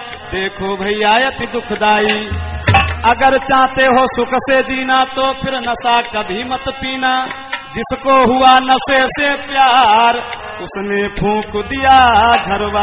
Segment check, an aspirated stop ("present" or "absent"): present